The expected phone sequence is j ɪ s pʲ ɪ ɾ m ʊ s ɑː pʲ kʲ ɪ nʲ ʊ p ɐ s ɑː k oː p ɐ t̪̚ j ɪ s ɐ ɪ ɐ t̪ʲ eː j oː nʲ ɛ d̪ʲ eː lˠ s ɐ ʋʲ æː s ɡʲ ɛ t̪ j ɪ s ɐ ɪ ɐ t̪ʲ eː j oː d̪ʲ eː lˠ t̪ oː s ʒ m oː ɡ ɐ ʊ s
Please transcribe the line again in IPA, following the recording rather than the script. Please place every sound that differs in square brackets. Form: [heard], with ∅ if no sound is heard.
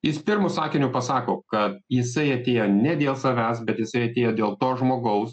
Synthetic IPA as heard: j ɪ s pʲ ɪ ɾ m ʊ s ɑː [∅] kʲ ɪ nʲ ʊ p ɐ s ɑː k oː [k] ɐ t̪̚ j ɪ s ɐ ɪ ɐ t̪ʲ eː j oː nʲ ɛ d̪ʲ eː lˠ s ɐ ʋʲ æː s [bʲ] ɛ t̪ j ɪ s ɐ ɪ ɐ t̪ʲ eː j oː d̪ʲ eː lˠ t̪ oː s ʒ m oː ɡ ɐ ʊ s